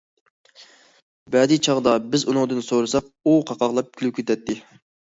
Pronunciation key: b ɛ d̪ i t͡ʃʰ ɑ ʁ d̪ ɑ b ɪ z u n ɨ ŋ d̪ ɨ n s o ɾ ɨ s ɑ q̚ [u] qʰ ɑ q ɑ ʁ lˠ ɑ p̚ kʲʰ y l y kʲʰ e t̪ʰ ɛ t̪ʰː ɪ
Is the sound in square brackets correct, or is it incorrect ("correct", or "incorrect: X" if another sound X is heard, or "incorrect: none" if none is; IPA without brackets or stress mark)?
correct